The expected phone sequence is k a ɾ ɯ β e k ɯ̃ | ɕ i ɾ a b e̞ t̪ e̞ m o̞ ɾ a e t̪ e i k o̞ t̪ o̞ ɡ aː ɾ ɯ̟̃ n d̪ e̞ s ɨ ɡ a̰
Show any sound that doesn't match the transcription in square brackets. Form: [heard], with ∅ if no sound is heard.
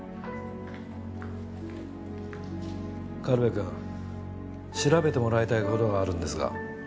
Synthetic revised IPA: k a ɾ ɯ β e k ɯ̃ | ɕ i ɾ a b e̞ t̪ e̞ m o̞ ɾ a [i] t̪ [a] i k o̞ t̪ o̞ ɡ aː ɾ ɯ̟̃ n d̪ e̞ s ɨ ɡ a̰

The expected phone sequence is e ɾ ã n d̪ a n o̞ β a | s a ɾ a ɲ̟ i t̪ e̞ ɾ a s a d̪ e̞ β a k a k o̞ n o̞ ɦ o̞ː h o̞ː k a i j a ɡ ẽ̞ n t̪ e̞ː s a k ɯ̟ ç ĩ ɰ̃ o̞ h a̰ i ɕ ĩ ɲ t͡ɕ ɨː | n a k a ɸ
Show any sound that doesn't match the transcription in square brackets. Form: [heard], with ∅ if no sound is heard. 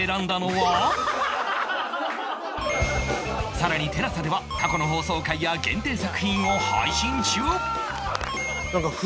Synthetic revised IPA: e ɾ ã n d̪ a n o̞ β a | s a ɾ a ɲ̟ i t̪ e̞ ɾ a s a d̪ e̞ β a k a k o̞ n o̞ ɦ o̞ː [s] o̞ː k a i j a ɡ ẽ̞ n t̪ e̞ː s a k ɯ̟ ç ĩ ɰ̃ o̞ h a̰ i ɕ ĩ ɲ t͡ɕ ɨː | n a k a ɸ

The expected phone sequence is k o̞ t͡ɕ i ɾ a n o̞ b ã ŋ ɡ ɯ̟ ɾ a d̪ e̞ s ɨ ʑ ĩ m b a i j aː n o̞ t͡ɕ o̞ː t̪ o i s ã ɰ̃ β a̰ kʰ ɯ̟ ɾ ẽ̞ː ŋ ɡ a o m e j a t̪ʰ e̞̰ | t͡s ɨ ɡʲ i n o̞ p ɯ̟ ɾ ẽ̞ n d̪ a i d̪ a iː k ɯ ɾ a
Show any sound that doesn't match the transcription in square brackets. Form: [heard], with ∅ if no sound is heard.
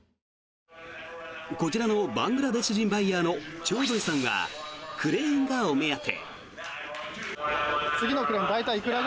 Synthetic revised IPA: k o̞ t͡ɕ i ɾ a n o̞ b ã ŋ ɡ ɯ̟ ɾ a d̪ e̞ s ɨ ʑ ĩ m b a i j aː n o̞ t͡ɕ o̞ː [d̪] o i s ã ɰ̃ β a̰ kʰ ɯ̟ ɾ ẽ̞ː ŋ ɡ a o m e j a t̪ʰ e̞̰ | t͡s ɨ ɡʲ i n o̞ [k] ɯ̟ ɾ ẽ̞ n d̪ a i [t̪] a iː k ɯ ɾ a

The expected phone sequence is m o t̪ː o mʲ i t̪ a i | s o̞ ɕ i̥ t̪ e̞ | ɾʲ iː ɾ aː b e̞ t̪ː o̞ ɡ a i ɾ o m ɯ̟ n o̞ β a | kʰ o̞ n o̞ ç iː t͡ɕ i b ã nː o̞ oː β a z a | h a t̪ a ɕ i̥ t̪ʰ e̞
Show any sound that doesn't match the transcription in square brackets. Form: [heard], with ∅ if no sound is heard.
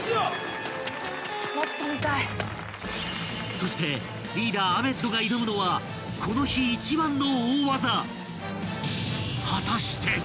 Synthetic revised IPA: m o t̪ː o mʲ i t̪ a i | s o̞ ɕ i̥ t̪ e̞ | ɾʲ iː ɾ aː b e̞ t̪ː o̞ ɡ a i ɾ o m ɯ̟ n o̞ β a | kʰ o̞ n o̞ ç iː t͡ɕ i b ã nː o̞ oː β a z a | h a t̪ a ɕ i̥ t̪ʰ e̞

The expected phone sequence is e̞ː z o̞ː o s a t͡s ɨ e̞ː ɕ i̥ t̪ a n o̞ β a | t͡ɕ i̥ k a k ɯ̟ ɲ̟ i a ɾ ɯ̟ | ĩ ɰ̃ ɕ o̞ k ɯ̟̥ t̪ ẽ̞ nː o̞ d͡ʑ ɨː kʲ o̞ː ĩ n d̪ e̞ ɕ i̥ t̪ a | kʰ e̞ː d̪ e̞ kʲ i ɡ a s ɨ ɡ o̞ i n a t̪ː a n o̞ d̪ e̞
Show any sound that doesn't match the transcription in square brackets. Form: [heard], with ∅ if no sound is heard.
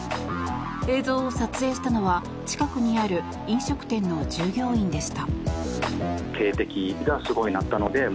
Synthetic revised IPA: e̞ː z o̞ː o s a t͡s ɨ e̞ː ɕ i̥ t̪ a n o̞ β a | t͡ɕ i̥ k a k ɯ̟ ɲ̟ i a ɾ ɯ̟ | ĩ ɰ̃ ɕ o̞ k ɯ̟̥ t̪ ẽ̞ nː o̞ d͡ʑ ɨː [ɡʲ] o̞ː ĩ n d̪ e̞ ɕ i̥ t̪ a | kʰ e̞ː [t̪] e̞ kʲ i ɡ a s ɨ ɡ o̞ i n a t̪ː a n o̞ d̪ e̞

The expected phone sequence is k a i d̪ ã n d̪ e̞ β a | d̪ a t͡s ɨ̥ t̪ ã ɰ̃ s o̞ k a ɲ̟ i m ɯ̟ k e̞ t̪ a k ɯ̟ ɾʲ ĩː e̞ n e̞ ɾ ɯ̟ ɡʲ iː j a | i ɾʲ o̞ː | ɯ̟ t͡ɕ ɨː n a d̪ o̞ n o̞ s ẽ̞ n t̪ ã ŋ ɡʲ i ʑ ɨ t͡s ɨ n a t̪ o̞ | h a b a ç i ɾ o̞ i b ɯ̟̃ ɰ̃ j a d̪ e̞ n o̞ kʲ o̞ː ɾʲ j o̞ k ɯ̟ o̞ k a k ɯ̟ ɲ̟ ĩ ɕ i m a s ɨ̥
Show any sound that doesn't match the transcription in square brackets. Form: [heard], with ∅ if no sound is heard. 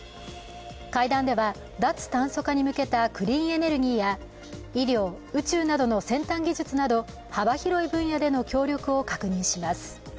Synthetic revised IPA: k a i d̪ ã n d̪ e̞ β a | d̪ a t͡s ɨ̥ t̪ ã ɰ̃ s o̞ k a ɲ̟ i m ɯ̟ k e̞ t̪ a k ɯ̟ ɾʲ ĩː e̞ n e̞ ɾ ɯ̟ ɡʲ iː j a | i ɾʲ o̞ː | ɯ̟ t͡ɕ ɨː n a d̪ o̞ n o̞ s ẽ̞ n t̪ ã ŋ ɡʲ i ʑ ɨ t͡s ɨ n a [d̪] o̞ | h a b a ç i ɾ o̞ i b ɯ̟̃ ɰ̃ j a d̪ e̞ n o̞ kʲ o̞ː ɾʲ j o̞ k ɯ̟ o̞ k a k ɯ̟ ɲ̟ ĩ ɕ i m a s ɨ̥

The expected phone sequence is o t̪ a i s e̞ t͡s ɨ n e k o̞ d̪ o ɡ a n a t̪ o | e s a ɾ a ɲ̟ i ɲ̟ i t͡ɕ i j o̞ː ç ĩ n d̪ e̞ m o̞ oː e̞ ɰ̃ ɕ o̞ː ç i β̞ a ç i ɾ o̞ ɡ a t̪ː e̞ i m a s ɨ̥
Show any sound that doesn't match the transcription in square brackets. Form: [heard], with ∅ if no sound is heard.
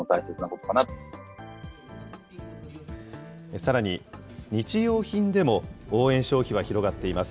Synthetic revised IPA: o t̪ a i s e̞ t͡s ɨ n [a] k o̞ [t̪] o [k] a n a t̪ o | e s a ɾ a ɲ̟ i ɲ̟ i t͡ɕ i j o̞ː ç ĩ n d̪ e̞ m o̞ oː [ẽ̞] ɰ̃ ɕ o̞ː ç i β̞ a ç i ɾ o̞ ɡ a t̪ː e̞ i m a s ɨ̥

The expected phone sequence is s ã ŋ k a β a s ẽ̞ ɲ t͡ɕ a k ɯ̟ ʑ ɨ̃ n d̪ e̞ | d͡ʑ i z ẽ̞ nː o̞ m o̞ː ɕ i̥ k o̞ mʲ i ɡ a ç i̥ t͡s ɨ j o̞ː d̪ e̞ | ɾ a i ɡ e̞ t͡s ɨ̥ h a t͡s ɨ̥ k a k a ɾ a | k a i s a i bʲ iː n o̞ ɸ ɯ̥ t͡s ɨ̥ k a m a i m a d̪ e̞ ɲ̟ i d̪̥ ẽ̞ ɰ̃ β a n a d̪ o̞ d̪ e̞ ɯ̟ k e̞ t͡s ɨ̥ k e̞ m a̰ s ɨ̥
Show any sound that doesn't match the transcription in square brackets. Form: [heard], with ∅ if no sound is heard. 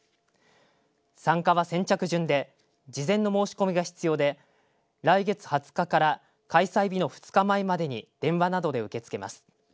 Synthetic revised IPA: s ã ŋ k a β a s ẽ̞ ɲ t͡ɕ a k ɯ̟ ʑ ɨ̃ n d̪ e̞ | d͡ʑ i z ẽ̞ nː o̞ m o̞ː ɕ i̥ k o̞ mʲ i ɡ a ç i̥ t͡s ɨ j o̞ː d̪ e̞ | ɾ a i ɡ e̞ t͡s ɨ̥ h a t͡s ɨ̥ k a k a ɾ a | k a i s a i bʲ [i] n o̞ ɸ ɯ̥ t͡s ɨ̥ k a m a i m a d̪ e̞ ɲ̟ i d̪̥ ẽ̞ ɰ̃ β a n a d̪ o̞ d̪ e̞ ɯ̟ k e̞ t͡s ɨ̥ k e̞ m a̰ s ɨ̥

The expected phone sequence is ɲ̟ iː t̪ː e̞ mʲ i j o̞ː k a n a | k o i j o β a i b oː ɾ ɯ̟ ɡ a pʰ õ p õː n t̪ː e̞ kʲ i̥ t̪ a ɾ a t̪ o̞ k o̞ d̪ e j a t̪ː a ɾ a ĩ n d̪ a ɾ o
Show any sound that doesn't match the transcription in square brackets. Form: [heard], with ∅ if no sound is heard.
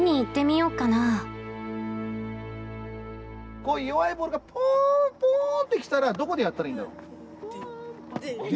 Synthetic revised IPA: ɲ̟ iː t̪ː e̞ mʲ i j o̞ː k a n a | k o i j o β a i b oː ɾ ɯ̟ ɡ a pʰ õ p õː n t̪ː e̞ kʲ i̥ t̪ a ɾ a [d̪] o̞ k o̞ d̪ e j a t̪ː a ɾ a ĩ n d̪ a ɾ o

